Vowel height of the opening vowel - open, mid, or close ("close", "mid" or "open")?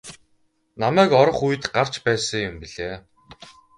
open